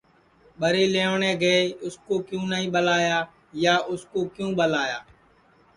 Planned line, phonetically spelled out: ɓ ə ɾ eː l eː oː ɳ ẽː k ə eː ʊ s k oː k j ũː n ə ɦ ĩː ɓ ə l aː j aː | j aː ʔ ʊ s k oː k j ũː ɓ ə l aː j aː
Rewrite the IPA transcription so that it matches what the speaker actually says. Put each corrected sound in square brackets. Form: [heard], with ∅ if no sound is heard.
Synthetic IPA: ɓ ə ɾ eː l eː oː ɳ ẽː [ɡ] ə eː ʊ s k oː k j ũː n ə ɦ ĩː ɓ ə l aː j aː | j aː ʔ ʊ s k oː k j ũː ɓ ə l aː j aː